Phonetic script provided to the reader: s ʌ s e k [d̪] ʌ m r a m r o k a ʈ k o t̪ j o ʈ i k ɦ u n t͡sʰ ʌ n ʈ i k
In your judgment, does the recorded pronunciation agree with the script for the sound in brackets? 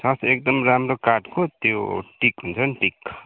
yes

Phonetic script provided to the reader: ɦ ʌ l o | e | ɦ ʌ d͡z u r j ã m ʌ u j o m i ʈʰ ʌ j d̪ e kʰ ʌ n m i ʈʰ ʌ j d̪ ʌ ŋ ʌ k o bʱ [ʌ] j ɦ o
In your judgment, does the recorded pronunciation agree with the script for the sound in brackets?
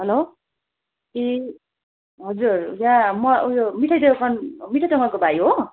no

